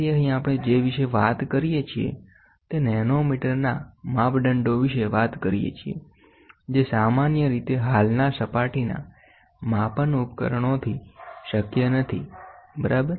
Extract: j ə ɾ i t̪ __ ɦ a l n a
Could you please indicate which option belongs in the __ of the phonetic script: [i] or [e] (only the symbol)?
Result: e